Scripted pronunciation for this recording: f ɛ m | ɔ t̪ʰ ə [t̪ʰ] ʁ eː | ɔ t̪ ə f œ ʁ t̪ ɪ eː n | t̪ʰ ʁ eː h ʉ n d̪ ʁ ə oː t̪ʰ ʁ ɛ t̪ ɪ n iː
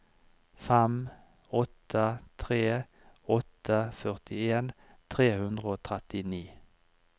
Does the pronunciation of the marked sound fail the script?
no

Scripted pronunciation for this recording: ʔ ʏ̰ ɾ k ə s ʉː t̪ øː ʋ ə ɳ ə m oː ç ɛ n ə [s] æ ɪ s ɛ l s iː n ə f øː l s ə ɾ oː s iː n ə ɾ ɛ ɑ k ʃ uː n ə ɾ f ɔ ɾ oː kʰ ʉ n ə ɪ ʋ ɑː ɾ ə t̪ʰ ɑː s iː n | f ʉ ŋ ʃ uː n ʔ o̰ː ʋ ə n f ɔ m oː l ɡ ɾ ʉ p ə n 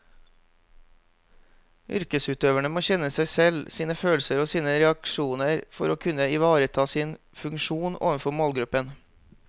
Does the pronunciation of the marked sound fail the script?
no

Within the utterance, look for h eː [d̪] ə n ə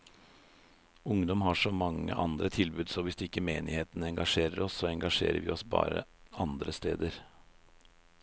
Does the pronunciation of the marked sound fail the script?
yes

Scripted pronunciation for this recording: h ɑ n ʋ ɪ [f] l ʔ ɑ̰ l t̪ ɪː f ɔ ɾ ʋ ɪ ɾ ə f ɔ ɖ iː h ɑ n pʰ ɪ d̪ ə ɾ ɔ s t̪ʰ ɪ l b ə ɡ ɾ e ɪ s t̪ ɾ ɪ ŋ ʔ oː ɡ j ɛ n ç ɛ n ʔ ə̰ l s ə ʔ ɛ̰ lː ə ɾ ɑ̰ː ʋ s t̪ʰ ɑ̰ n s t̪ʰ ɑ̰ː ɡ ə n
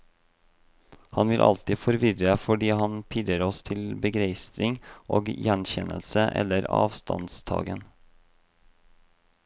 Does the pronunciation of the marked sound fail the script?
yes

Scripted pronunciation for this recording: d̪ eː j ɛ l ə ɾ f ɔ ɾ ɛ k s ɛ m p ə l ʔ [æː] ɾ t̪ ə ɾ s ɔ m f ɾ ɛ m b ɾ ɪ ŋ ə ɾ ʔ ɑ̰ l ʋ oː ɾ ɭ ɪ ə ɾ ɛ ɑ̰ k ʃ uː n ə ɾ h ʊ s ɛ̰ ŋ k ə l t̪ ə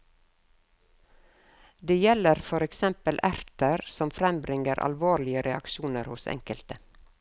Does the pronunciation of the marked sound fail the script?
yes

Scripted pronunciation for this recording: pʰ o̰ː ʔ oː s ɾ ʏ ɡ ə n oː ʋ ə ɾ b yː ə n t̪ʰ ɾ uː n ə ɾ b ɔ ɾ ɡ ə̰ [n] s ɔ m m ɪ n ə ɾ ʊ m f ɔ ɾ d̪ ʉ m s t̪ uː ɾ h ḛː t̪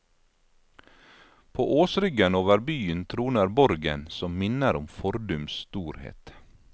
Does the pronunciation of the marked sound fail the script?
no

